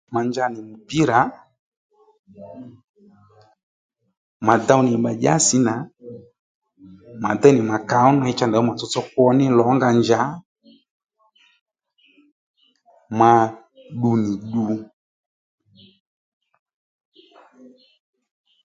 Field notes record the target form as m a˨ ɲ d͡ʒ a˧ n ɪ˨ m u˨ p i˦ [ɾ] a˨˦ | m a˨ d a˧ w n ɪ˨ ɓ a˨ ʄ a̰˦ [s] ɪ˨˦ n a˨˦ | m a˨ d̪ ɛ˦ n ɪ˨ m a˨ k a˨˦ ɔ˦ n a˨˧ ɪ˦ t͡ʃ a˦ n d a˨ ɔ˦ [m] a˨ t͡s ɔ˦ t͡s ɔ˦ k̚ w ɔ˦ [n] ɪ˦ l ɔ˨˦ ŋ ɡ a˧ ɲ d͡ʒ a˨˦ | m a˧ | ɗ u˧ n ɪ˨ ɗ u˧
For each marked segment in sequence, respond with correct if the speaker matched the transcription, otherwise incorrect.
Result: correct, correct, correct, correct

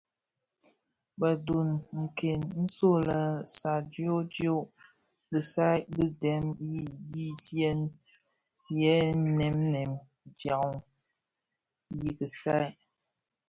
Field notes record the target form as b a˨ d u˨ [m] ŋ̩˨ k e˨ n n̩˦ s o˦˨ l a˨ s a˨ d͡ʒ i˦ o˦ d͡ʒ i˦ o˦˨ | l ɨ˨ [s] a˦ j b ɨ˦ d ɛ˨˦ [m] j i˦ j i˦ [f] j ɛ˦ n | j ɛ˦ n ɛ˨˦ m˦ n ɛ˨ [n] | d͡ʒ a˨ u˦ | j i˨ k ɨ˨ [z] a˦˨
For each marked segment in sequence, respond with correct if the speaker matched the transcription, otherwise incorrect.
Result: incorrect, correct, correct, incorrect, incorrect, incorrect

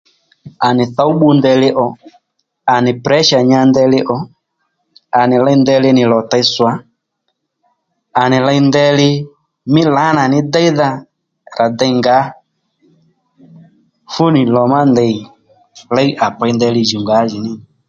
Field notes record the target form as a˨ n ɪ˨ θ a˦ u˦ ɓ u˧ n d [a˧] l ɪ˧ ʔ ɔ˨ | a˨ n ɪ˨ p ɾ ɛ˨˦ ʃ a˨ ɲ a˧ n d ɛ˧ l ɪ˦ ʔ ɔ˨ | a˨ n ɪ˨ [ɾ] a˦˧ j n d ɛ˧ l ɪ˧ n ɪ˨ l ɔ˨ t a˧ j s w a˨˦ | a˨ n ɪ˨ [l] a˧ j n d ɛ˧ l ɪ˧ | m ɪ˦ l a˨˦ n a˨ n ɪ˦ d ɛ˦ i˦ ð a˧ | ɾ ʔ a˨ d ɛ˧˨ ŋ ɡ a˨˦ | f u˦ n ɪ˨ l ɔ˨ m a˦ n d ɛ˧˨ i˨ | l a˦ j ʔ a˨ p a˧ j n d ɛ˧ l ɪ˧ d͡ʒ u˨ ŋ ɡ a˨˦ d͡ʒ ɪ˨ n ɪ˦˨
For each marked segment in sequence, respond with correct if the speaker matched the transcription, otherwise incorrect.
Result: incorrect, incorrect, correct

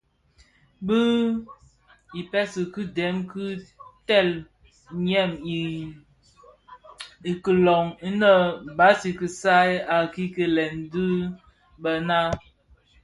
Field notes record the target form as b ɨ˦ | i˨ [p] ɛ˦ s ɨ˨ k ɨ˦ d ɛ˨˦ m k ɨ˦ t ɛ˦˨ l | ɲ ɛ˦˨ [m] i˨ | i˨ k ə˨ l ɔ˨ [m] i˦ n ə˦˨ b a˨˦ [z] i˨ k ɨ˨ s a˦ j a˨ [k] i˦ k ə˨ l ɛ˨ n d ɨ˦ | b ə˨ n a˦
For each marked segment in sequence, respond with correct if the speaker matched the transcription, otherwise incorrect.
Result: correct, correct, incorrect, incorrect, correct

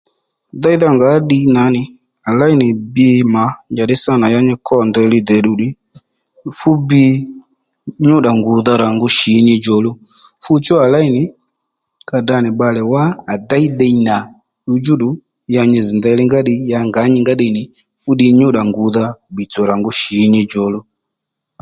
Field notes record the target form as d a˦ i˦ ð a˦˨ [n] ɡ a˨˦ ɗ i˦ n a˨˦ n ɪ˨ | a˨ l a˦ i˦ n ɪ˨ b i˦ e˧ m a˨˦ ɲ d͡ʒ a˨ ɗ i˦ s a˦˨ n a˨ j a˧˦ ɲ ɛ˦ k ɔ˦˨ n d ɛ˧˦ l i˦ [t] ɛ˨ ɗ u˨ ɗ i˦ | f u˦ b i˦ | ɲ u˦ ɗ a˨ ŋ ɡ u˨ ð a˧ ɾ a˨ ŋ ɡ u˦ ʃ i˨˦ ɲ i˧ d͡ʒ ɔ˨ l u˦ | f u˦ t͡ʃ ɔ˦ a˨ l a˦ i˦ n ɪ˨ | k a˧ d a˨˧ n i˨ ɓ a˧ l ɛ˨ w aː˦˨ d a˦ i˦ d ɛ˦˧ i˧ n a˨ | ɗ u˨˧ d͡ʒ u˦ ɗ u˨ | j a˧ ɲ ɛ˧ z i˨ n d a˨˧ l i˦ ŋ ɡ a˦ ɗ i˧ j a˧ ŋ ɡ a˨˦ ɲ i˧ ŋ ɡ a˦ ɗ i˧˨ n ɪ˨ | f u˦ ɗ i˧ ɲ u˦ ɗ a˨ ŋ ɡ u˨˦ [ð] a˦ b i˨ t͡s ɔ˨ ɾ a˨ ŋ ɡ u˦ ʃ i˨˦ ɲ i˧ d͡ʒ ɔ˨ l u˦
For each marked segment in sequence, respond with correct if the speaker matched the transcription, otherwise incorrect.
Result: incorrect, incorrect, correct

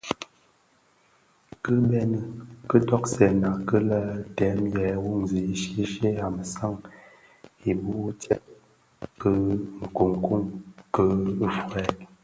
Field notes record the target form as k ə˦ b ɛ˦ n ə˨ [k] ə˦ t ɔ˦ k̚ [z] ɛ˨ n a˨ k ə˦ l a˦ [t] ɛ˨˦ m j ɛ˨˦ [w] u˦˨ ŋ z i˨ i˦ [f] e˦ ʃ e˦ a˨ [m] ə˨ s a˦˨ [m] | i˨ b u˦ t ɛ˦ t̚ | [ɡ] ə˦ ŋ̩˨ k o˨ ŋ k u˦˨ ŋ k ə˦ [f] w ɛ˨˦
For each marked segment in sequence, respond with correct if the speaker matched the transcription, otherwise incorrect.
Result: correct, incorrect, correct, correct, incorrect, correct, incorrect, incorrect, correct

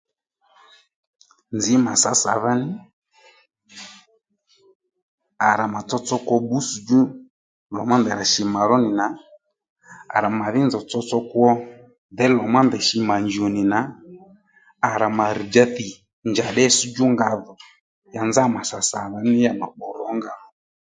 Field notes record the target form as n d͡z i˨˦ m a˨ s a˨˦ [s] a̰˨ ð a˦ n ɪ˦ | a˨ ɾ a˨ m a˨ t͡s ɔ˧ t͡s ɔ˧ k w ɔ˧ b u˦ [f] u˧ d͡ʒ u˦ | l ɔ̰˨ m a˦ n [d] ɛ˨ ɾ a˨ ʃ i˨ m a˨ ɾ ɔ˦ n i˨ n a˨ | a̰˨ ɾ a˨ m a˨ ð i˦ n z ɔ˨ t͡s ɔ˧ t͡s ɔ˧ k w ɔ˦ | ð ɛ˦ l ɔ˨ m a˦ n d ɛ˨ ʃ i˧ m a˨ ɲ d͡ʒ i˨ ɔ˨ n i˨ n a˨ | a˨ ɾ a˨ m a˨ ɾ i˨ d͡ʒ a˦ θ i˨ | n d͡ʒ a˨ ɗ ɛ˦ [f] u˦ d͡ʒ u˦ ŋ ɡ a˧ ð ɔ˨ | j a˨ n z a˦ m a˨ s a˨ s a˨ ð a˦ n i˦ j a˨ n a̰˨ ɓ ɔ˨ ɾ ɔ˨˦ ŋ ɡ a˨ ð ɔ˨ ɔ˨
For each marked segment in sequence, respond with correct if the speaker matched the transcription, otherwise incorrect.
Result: correct, incorrect, correct, incorrect

